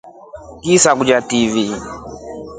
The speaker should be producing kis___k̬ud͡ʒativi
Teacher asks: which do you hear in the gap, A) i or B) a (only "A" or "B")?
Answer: B